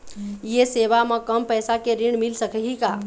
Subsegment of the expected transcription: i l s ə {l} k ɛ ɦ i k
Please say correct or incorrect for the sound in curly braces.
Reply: incorrect